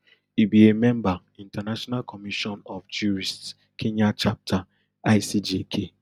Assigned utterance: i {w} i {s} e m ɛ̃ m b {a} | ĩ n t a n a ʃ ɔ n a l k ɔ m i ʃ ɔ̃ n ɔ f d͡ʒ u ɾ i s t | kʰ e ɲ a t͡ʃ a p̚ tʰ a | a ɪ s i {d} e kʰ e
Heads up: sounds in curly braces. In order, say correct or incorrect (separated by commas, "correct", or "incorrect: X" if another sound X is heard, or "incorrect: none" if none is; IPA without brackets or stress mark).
incorrect: b, incorrect: none, correct, incorrect: d͡ʒ